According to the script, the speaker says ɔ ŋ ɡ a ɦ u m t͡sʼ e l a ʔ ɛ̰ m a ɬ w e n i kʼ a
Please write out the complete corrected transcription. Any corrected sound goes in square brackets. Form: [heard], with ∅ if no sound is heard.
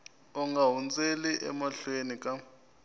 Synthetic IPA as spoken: ɔ ŋ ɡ a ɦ u [n] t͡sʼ e l [i] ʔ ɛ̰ m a ɬ w e n i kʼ a

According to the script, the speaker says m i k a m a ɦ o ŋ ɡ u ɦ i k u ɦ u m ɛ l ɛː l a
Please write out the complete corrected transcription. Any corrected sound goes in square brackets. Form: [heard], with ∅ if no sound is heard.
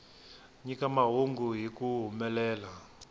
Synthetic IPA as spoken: [ɲ] i k a m a ɦ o ŋ ɡ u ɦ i k u ɦ u m ɛ l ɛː l a

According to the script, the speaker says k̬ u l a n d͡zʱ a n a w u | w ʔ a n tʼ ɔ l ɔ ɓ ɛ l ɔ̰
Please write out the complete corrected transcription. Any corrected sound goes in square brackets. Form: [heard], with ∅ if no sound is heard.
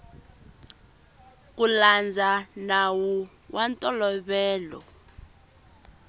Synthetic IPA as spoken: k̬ u l a n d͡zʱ a n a w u | w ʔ a n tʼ ɔ l ɔ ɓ [ɛː] l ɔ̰

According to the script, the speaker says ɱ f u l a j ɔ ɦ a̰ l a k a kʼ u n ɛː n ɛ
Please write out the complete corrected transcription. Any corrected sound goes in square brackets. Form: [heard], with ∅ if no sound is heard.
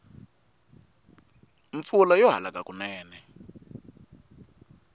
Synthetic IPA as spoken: ɱ f u l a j ɔ ɦ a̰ l a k a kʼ u n ɛː n ɛ

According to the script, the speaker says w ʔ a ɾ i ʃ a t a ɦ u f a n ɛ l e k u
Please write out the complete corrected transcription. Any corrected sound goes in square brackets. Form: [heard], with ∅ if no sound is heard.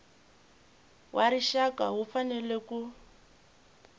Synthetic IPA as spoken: w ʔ a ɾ i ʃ a [k] a ɦ u f a n ɛ l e k u

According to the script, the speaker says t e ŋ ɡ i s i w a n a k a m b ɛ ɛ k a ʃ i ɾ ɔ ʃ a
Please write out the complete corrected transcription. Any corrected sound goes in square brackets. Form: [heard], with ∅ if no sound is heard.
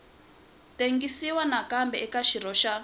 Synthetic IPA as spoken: t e ŋ ɡ i s i w a n a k a m b ɛ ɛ k a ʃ i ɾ ɔ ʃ a

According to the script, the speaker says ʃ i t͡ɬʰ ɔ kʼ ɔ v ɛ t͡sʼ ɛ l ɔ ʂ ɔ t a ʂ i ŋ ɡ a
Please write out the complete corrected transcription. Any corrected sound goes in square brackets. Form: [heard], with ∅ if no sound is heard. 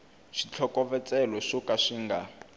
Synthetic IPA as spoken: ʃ i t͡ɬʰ ɔ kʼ ɔ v ɛ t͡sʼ ɛ l ɔ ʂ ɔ [k] a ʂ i ŋ ɡ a

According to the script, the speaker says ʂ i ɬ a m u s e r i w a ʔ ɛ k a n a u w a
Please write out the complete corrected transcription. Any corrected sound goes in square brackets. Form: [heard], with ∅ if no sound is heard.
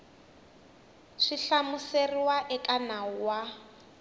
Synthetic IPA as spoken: ʂ i ɬ a m u s e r i w a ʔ ɛ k a n a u w a

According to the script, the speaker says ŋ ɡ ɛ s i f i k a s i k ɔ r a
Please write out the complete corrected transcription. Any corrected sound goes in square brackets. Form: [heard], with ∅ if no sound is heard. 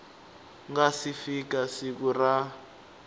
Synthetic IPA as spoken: ŋ ɡ [a] s i f i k a s i k [u] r a

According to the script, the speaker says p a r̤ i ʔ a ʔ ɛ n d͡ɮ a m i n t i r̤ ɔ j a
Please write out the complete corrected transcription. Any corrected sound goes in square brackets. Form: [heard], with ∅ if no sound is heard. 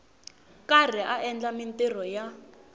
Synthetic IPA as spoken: [k] a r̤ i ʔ a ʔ ɛ n d͡ɮ a m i n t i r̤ ɔ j a

